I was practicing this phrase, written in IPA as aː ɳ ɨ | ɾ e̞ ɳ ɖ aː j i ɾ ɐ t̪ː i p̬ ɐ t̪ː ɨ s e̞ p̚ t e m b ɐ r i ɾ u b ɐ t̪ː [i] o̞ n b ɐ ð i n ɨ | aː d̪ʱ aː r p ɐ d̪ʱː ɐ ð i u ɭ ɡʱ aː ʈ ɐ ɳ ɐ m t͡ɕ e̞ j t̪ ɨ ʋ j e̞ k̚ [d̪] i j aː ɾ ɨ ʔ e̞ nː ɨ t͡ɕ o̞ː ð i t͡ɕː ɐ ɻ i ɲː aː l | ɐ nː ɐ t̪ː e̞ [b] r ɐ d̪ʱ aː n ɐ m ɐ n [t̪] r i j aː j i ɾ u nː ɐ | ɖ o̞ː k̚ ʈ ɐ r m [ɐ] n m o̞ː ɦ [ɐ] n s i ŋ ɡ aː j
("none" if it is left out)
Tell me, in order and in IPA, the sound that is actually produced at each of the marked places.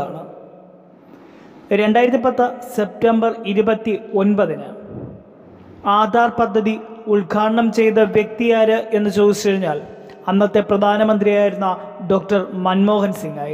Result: i, t̪, p, d̪, ɐ, ɐ

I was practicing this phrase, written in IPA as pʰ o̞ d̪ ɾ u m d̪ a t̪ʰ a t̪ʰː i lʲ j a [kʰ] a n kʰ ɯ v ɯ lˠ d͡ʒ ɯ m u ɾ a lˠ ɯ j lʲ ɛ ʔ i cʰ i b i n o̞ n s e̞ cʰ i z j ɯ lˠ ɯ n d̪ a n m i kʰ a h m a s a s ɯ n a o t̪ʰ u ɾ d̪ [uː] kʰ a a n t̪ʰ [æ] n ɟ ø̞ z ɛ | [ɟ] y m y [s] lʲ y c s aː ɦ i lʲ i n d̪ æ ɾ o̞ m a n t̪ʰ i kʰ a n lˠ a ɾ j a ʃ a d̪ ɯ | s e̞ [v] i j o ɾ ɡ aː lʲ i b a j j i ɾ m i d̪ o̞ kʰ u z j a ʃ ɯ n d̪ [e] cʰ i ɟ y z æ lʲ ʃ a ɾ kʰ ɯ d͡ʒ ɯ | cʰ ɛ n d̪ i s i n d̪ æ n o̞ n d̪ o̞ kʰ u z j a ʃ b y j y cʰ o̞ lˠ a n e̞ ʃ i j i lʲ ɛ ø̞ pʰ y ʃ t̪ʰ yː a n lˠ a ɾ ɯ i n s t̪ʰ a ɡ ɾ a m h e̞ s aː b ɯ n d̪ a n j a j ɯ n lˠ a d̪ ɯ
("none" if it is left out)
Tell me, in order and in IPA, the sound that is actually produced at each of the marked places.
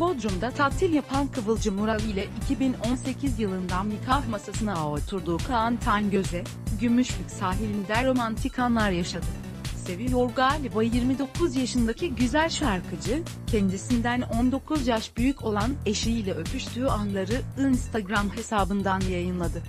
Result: pʰ, uː, a, ɟ, ʃ, v, a

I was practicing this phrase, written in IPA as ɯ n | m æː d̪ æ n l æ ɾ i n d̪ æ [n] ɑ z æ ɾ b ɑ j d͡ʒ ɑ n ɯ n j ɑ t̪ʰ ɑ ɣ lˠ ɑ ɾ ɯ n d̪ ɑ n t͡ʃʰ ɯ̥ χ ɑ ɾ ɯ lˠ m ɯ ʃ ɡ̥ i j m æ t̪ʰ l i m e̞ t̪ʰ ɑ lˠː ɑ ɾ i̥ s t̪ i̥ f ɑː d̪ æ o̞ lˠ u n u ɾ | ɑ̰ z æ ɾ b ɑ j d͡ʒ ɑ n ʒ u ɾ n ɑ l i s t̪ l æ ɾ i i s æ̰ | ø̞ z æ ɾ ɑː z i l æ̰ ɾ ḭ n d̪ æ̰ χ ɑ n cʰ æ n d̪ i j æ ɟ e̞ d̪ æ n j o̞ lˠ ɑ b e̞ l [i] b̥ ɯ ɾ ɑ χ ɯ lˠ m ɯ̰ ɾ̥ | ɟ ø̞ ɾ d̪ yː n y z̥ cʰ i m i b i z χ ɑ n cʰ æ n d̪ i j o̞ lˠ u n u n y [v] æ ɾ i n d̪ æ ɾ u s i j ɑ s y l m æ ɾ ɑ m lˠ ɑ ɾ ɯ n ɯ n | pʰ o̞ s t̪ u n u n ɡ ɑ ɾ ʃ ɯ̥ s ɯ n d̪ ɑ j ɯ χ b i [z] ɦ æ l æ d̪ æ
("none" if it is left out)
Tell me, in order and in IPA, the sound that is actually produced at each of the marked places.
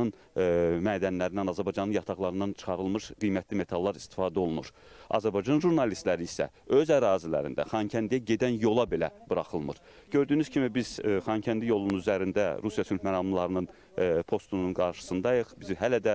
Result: n, æ, z, z

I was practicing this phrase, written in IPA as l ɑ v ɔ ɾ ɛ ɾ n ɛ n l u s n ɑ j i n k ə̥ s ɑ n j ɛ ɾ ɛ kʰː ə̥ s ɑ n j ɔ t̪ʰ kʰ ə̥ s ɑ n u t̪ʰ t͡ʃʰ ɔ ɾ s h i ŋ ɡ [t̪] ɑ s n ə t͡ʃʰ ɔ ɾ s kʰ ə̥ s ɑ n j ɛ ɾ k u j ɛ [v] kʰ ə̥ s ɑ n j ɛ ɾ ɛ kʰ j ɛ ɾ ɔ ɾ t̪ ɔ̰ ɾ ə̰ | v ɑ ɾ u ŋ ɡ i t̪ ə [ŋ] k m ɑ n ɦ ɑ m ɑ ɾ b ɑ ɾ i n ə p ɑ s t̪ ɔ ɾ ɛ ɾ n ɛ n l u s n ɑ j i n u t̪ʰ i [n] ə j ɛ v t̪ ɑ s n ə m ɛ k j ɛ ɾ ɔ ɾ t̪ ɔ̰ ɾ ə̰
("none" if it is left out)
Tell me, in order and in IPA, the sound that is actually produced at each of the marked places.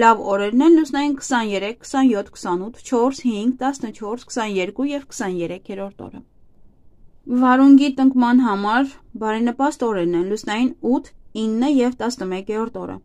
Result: t̪, v, ŋ, nː

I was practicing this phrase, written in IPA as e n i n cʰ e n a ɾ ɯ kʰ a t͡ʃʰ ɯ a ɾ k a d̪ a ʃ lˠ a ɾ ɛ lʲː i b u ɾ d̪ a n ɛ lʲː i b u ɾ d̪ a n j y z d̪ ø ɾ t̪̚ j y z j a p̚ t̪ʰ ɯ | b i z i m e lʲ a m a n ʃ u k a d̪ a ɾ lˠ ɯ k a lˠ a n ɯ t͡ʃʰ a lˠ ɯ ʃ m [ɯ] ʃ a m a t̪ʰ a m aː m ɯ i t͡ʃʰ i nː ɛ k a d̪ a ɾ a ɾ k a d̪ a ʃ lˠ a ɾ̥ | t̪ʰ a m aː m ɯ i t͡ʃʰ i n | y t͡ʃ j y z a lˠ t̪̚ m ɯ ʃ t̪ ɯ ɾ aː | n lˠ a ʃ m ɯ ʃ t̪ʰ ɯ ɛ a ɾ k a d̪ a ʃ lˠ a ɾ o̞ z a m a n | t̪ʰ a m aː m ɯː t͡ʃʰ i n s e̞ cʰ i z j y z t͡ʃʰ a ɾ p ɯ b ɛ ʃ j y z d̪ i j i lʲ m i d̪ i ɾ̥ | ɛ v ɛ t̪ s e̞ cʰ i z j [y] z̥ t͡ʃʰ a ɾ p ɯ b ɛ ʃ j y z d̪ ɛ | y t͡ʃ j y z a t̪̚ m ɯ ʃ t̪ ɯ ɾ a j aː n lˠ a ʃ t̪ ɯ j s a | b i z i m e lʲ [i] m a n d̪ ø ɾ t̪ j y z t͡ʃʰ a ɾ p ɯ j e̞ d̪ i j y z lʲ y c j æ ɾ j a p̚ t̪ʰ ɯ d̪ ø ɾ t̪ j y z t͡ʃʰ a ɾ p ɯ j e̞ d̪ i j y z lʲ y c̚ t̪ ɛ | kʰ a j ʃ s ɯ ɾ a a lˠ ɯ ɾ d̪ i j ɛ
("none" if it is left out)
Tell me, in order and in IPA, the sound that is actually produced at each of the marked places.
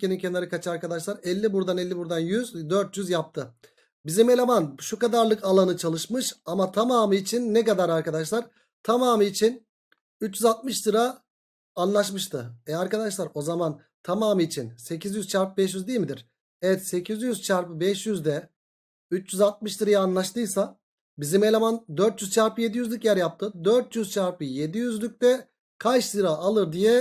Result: ɯ, y, a

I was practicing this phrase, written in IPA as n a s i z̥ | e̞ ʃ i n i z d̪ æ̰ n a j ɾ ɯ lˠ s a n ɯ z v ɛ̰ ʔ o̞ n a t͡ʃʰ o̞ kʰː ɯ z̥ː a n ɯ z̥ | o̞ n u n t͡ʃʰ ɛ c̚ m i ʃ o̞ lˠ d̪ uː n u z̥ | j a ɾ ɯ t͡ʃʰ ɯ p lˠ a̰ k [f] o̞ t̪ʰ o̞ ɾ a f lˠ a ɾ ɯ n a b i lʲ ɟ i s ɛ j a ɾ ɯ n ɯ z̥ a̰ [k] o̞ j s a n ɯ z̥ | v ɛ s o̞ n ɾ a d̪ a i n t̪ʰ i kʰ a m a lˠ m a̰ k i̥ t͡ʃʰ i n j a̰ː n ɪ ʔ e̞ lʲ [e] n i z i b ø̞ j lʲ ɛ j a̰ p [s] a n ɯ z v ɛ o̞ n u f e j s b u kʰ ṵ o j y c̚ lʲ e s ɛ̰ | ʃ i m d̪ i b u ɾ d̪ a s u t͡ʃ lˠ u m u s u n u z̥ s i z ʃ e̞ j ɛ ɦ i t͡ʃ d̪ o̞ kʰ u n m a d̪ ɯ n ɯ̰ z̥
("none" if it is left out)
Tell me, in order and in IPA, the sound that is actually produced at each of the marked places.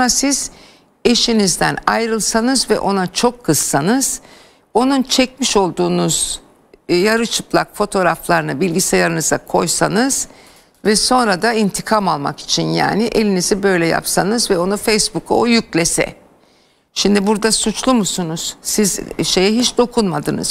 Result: f, kʰ, i, s

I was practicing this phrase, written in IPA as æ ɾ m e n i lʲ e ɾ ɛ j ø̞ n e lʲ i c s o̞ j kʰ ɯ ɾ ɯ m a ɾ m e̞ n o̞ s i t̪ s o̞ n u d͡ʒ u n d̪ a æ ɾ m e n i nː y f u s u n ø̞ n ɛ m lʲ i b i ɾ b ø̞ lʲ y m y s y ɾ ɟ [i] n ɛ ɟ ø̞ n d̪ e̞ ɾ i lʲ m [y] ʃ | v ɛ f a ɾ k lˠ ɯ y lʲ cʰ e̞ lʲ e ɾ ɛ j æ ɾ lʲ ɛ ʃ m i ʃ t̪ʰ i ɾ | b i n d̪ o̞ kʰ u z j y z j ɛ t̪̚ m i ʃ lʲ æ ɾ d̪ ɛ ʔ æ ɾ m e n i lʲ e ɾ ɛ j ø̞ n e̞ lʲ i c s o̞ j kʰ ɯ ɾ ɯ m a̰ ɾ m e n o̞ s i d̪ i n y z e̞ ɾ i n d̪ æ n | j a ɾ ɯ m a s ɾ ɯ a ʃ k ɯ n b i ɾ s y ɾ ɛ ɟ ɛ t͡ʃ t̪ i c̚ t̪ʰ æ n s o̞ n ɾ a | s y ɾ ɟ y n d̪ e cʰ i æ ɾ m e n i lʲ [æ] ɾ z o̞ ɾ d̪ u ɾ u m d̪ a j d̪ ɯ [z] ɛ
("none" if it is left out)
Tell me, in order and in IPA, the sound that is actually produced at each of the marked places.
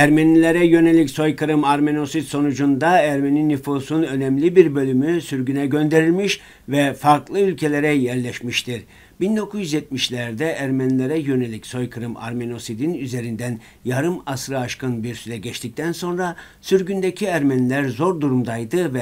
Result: y, i, æ, v

